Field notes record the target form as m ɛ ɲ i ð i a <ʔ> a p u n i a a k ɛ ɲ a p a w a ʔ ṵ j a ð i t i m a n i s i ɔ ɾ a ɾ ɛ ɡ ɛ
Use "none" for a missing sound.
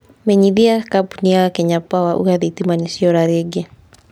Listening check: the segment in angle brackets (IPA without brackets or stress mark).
k